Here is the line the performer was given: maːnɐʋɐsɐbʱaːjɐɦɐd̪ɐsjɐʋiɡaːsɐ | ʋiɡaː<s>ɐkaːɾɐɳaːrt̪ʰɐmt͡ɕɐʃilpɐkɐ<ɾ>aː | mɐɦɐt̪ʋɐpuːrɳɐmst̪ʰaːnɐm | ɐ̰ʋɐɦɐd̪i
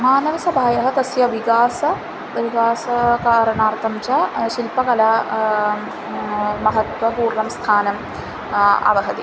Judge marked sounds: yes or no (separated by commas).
yes, no